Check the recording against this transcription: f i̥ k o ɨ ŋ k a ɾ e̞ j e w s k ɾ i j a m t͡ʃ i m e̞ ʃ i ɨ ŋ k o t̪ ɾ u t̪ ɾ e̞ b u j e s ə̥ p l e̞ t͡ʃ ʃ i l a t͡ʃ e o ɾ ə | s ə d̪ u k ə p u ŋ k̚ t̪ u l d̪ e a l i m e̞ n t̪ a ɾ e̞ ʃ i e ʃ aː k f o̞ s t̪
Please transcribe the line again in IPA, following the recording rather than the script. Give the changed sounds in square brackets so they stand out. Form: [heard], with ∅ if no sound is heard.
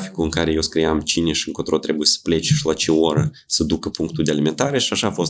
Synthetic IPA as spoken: f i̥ k [u] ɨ ŋ k a ɾ e̞ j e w s k ɾ i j a m t͡ʃ i [n] e̞ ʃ i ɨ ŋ k o t̪ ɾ [o] t̪ ɾ e̞ b u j e s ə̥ p l e̞ t͡ʃ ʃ i l a t͡ʃ e o ɾ ə | s ə d̪ u k ə p u ŋ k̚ t̪ u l d̪ e a l i m e̞ n t̪ a ɾ e̞ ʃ i [a] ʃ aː [∅] f o̞ s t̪